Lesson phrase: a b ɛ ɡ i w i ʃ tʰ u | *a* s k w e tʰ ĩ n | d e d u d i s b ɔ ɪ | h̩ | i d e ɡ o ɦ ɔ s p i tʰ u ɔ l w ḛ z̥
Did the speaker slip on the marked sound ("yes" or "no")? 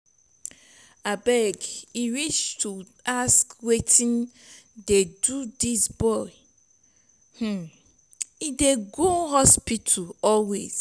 no